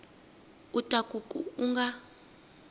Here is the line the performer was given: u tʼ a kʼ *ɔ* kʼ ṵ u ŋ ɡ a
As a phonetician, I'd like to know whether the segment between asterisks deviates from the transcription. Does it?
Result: yes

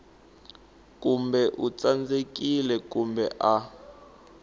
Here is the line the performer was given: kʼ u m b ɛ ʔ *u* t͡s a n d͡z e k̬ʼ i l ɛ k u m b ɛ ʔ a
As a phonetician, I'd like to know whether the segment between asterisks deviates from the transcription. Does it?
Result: no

